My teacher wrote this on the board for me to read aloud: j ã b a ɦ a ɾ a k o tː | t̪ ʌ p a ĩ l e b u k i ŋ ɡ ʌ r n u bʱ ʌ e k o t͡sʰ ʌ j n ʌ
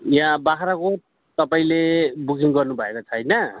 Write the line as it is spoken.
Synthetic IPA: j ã b a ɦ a ɾ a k o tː | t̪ ʌ p a ĩ l e b u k i ŋ ɡ ʌ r n u bʱ ʌ e k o t͡sʰ ʌ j n ʌ